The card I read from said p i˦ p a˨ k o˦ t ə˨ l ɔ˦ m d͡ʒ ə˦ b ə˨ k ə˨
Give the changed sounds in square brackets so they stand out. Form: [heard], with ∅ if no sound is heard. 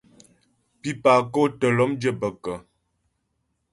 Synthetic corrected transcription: p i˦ p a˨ k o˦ t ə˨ l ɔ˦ m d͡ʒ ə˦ b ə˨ k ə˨